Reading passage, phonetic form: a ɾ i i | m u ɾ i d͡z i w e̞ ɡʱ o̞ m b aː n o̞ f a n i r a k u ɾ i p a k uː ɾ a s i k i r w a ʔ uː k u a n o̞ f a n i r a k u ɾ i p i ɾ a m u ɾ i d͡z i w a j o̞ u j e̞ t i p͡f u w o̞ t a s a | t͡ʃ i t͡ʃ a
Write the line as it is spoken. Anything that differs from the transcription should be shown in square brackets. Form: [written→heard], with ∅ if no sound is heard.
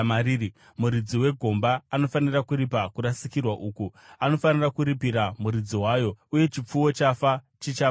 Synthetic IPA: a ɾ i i | m u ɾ i d͡z i w e̞ ɡʱ o̞ m b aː n o̞ f a n i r a k u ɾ i p a k [uː→u] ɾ a s i k i r w a ʔ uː k u a n o̞ f a n i r a k u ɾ i p i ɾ a m u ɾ i d͡z i w a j o̞ u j e̞ [t→t͡ʃ] i p͡f u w o̞ [t→t͡ʃ] a [s→f] a | t͡ʃ i t͡ʃ a